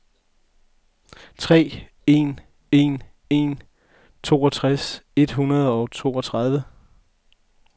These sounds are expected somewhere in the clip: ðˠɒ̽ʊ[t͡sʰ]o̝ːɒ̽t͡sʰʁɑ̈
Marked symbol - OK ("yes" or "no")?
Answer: yes